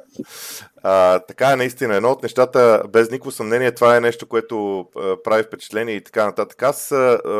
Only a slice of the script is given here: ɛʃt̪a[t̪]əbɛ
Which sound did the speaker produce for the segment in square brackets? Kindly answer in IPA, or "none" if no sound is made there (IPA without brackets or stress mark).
t̪